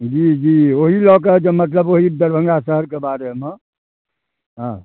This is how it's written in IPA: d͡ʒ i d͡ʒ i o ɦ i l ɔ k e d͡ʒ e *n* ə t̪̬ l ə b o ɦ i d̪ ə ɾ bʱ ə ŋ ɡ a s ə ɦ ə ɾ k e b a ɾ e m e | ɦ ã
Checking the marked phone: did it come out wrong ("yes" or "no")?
yes